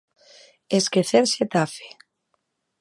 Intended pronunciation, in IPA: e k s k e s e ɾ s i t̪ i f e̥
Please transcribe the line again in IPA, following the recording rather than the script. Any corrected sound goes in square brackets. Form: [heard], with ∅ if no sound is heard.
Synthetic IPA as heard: e [∅] s k e [θ] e ɾ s [e] t̪ [a] f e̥